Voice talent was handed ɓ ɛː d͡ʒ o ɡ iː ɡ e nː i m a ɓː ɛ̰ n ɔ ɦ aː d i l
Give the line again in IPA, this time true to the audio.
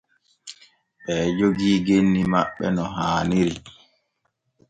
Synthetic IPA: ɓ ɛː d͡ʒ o ɡ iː ɡ e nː i m a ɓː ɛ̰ n ɔ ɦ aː n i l